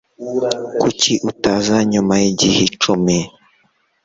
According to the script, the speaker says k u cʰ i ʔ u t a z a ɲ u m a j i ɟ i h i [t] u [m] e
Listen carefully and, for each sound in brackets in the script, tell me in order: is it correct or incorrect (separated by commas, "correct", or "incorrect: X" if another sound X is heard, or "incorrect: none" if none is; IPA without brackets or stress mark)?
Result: incorrect: t͡ʃ, correct